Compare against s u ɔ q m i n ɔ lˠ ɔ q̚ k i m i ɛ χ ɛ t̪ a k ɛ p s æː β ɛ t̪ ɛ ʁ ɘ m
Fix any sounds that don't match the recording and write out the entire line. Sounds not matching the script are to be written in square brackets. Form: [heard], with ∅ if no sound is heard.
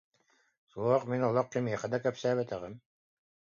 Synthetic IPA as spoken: s u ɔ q m i n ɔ lˠ ɔ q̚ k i m i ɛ χ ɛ [d̪] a k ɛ p s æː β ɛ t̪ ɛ ʁ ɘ m

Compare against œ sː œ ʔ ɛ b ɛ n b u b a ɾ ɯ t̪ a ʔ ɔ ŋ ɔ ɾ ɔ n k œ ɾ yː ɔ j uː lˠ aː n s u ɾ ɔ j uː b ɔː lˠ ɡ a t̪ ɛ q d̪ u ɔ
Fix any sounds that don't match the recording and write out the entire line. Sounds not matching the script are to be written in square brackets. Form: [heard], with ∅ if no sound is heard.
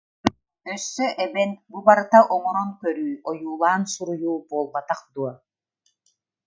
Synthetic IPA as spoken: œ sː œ ʔ ɛ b ɛ n b u b a ɾ ɯ t̪ a ʔ ɔ ŋ ɔ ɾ ɔ n k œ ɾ yː ɔ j uː lˠ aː n s u ɾ [u] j uː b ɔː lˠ [b] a t̪ [a] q d̪ u ɔ

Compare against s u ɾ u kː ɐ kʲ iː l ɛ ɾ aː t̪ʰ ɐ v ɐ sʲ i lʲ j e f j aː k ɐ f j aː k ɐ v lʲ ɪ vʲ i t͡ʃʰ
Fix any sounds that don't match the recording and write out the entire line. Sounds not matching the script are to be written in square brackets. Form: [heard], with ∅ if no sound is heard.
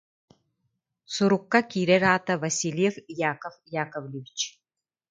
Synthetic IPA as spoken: s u ɾ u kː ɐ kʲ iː [ɾ] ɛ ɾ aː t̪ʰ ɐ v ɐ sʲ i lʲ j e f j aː k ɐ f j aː k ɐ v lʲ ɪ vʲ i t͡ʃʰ

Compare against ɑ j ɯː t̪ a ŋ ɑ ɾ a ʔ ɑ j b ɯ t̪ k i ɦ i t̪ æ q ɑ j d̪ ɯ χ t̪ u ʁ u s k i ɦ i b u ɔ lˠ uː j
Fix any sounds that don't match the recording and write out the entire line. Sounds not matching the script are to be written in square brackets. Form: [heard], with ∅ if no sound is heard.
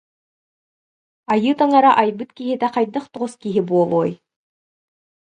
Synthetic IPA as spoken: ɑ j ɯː t̪ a ŋ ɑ ɾ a ʔ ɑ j b ɯ t̪ k i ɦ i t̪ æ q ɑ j d̪ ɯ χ t̪ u ʁ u s k i ɦ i b u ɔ lˠ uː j

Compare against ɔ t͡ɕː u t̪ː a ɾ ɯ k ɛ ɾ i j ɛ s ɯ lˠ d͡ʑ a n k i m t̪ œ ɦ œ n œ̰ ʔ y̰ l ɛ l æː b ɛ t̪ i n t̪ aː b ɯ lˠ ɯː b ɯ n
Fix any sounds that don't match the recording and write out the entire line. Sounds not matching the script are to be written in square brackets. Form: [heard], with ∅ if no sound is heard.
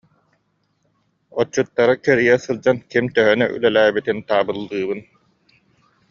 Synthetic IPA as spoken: ɔ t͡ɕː u t̪ː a ɾ ɯ k ɛ ɾ i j ɛ s ɯ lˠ d͡ʑ a n k i m t̪ œ ɦ œ n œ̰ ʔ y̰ l ɛ l æː b [i] t̪ i n t̪ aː b ɯ [lˠː] ɯː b ɯ n

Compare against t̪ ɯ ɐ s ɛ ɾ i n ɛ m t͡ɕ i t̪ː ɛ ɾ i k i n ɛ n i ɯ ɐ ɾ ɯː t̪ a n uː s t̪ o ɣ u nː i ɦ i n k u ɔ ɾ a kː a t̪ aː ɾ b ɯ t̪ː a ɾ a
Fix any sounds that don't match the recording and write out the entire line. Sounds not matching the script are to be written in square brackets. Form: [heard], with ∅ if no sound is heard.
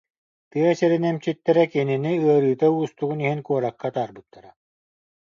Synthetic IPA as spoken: t̪ ɯ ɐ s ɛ ɾ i n ɛ m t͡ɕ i t̪ː ɛ ɾ [ɛ] k i n [i] n i ɯ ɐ ɾ ɯː t̪ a [∅] uː s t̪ [u] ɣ u [n] i ɦ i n k u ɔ ɾ a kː a t̪ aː ɾ b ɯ t̪ː a ɾ a

